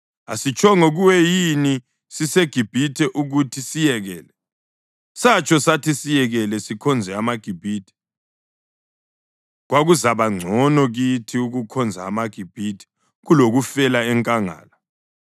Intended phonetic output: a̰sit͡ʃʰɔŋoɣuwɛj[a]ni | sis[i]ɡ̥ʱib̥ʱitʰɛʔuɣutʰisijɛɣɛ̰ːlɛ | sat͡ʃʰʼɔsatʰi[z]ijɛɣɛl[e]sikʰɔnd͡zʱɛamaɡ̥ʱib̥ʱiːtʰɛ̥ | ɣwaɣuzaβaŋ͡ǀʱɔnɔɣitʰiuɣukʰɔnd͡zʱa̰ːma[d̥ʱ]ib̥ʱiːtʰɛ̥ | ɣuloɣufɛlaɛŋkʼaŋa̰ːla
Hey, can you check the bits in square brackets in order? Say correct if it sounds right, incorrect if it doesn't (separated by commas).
incorrect, incorrect, incorrect, incorrect, incorrect